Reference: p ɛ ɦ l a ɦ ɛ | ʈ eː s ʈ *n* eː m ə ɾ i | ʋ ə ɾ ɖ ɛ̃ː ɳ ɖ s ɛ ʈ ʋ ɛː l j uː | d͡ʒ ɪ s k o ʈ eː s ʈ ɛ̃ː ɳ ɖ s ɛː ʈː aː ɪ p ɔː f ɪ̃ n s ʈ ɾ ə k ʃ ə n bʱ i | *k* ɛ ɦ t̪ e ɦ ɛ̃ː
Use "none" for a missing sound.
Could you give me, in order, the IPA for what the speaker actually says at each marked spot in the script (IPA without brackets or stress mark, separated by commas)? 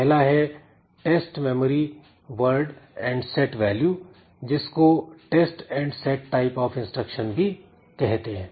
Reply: m, k